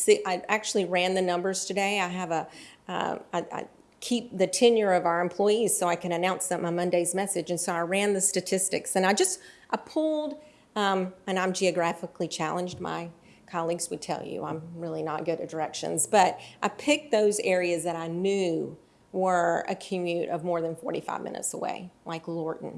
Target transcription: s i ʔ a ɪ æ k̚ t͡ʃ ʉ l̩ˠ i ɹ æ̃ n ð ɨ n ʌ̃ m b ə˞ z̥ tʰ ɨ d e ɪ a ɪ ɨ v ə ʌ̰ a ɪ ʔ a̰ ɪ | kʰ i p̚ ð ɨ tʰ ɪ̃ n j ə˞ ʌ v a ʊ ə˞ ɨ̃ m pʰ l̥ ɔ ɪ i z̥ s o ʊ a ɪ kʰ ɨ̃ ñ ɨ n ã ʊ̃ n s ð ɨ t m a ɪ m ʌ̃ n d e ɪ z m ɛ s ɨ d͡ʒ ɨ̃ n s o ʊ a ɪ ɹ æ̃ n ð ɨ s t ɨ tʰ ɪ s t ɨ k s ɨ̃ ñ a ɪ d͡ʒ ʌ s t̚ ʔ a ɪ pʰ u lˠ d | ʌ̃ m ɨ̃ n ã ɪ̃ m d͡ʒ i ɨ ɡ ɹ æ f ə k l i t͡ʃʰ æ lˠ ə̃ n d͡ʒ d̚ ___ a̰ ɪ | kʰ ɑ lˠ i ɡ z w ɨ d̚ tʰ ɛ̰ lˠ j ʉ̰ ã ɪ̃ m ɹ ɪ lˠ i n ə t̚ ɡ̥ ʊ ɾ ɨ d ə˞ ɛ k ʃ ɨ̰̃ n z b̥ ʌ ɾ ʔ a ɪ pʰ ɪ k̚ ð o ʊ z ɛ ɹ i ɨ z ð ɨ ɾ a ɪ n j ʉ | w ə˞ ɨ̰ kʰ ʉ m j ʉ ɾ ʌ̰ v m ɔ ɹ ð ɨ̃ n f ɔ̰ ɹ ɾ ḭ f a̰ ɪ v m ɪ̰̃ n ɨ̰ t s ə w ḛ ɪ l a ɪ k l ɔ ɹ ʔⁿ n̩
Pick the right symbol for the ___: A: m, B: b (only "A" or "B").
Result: A